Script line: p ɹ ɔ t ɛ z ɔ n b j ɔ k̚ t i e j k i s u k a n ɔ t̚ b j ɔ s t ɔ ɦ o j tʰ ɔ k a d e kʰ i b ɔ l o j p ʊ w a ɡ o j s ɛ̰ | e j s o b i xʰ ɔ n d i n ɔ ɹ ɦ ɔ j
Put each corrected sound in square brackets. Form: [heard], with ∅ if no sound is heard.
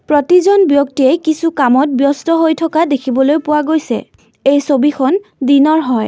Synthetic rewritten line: p ɹ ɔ t [i] z ɔ n b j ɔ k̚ t i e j k i s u k a [m] ɔ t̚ b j ɔ s t ɔ ɦ o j tʰ ɔ k a d e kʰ i b ɔ l o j p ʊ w a ɡ o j s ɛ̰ | e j s o b i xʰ ɔ n d i n ɔ ɹ ɦ ɔ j

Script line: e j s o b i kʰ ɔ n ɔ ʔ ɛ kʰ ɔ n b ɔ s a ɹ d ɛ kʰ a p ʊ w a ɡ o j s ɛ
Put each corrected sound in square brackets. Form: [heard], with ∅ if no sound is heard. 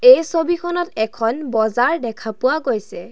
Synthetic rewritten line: e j s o b i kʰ ɔ n ɔ [t] ɛ kʰ ɔ n b ɔ [z] a ɹ d ɛ kʰ a p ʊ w a ɡ o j s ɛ

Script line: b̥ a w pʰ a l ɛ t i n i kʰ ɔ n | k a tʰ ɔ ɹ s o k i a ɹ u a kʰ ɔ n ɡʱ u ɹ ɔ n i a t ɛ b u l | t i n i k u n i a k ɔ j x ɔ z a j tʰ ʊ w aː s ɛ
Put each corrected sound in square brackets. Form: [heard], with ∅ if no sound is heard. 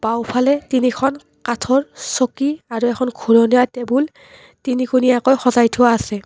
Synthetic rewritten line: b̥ a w pʰ a l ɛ t i n i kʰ ɔ n | k a tʰ ɔ ɹ s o k i a ɹ u [ɛ] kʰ ɔ n ɡʱ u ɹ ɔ n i a t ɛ b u l | t i n i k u n i a k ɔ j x ɔ z a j tʰ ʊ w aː s ɛ

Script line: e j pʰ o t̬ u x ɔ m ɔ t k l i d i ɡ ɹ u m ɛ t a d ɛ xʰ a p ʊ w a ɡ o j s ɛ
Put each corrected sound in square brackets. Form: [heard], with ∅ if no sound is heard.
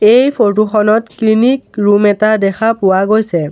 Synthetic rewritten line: e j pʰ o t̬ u x ɔ [n] ɔ t k l i [n] i [k] ɹ u m ɛ t a d ɛ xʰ a p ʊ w a ɡ o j s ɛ

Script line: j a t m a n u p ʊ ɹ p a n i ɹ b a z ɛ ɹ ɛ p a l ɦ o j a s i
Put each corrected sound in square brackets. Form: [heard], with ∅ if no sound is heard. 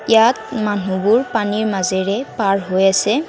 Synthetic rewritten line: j a t m a n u [b] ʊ ɹ p a n i ɹ [m] a z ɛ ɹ ɛ p a [ɹ] ɦ o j a s [ɛ]

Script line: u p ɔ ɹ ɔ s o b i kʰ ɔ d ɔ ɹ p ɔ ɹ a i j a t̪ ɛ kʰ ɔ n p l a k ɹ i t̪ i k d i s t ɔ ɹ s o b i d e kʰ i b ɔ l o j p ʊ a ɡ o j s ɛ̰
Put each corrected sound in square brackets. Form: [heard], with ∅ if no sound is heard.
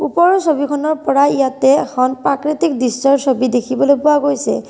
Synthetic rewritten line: u p ɔ ɹ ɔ s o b i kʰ ɔ [n] ɔ ɹ p ɔ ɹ a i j a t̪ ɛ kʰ ɔ n p [ɹ] a k ɹ i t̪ i k d i s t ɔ ɹ s o b i d e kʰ i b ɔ l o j p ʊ a ɡ o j s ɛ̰

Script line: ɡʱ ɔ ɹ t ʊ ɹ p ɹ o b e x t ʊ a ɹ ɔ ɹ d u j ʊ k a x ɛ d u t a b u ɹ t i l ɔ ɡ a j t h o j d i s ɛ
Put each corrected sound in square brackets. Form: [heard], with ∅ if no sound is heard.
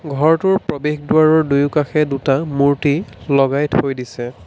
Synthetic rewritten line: ɡʱ ɔ ɹ t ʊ ɹ p ɹ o b e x [d] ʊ a ɹ ɔ ɹ d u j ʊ k a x ɛ d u t a [m] u ɹ t i l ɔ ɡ a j t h o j d i s ɛ

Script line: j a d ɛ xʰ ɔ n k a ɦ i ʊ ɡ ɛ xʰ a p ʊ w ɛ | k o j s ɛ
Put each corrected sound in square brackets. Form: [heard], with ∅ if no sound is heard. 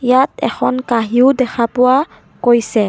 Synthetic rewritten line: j a [t] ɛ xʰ ɔ n k a ɦ i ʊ [d] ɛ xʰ a p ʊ w [a] | k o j s ɛ

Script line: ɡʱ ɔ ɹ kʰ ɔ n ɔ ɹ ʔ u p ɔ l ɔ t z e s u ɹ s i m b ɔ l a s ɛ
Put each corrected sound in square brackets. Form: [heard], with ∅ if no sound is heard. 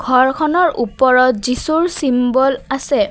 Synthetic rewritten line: ɡʱ ɔ ɹ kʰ ɔ n ɔ ɹ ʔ u p ɔ [ɹ] ɔ t z [i] s u ɹ s i m b ɔ l a s ɛ

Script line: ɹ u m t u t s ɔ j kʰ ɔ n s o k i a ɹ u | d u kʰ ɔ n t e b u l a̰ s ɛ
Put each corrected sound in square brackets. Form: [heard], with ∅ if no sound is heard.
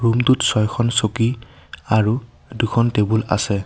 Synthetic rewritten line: ɹ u m t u t s ɔ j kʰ ɔ n s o k i a ɹ u | d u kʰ ɔ n t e b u l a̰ s ɛ

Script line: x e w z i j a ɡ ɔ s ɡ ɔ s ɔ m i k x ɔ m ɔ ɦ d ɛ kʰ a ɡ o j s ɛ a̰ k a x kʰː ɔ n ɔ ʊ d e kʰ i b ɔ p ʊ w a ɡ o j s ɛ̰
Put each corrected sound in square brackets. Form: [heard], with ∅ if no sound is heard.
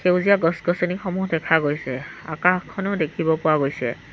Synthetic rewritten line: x e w z i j a ɡ ɔ s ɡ ɔ s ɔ [n] i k x ɔ m [u] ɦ d ɛ kʰ a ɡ o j s ɛ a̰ k a x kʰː ɔ n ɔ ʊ d e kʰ i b ɔ p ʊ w a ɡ o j s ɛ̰

